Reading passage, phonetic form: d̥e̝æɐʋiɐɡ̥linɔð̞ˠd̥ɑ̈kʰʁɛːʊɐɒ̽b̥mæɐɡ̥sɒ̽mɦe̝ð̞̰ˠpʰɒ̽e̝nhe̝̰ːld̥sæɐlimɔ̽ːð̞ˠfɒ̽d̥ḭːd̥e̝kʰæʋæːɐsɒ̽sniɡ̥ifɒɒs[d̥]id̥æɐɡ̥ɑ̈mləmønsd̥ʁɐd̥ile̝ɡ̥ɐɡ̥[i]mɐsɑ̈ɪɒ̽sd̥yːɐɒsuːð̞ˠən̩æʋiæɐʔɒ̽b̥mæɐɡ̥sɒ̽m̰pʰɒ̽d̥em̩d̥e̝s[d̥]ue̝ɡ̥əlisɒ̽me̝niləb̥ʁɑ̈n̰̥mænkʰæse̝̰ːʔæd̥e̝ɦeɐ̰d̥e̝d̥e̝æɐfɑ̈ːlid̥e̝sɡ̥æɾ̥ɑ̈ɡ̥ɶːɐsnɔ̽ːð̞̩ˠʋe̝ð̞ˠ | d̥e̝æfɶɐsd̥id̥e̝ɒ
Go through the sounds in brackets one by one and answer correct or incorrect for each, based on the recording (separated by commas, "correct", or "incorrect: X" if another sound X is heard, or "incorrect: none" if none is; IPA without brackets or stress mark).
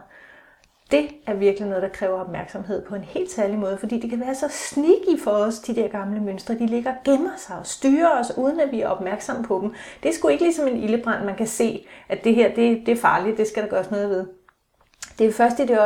correct, incorrect: e, incorrect: ɡ̥